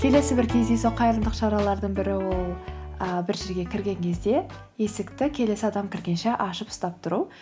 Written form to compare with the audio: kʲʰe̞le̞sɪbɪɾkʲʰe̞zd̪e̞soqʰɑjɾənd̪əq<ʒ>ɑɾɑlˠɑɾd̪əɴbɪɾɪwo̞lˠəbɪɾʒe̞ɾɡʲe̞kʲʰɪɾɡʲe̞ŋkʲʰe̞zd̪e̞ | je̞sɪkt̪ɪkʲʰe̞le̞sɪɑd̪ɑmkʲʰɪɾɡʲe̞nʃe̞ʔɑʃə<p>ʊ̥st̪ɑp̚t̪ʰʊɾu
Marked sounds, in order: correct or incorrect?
incorrect: ʃ, correct

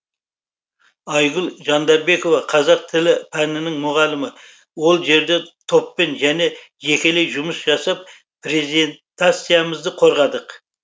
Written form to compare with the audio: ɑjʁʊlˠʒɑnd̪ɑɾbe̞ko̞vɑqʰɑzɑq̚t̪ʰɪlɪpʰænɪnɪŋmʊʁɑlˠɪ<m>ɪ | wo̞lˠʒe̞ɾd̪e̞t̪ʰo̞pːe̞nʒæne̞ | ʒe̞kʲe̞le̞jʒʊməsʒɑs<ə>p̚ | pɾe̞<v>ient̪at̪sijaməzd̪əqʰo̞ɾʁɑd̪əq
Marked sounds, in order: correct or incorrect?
correct, incorrect: ɑ, incorrect: z

